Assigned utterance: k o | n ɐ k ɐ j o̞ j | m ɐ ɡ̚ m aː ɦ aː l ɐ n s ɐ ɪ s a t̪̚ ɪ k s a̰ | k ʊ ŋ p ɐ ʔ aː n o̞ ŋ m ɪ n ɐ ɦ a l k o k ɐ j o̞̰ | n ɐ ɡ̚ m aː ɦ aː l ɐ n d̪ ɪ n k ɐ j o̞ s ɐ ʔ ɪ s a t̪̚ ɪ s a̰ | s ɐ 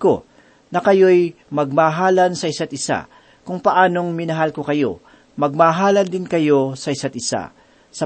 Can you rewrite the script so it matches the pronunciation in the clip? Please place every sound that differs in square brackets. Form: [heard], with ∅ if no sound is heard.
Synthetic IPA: k o | n ɐ k ɐ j o̞ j | m ɐ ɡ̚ m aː ɦ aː l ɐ n s ɐ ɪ s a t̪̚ ɪ [∅] s a̰ | k ʊ ŋ p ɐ ʔ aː n o̞ ŋ m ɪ n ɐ ɦ a l k o k ɐ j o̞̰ | [m] ɐ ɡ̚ m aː ɦ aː l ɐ n d̪ ɪ n k ɐ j o̞ s ɐ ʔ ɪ s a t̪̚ ɪ s a̰ | s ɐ